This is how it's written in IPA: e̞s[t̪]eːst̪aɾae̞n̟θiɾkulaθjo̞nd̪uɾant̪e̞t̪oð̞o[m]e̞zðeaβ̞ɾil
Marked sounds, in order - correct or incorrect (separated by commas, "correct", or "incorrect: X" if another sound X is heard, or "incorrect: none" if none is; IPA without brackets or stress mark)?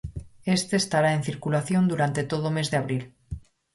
correct, correct